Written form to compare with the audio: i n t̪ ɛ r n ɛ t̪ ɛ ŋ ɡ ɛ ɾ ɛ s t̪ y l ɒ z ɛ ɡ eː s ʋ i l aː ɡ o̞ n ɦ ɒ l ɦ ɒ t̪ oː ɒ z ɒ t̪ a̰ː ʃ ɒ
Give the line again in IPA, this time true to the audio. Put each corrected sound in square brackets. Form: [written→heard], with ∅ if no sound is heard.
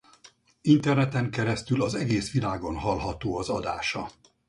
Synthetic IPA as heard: i n t̪ ɛ r n ɛ t̪ ɛ ŋ [ɡ→k] ɛ ɾ ɛ s t̪ y l ɒ z ɛ ɡ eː s ʋ i l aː ɡ o̞ n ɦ ɒ l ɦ ɒ t̪ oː ɒ z ɒ [t̪→d̪] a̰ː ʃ ɒ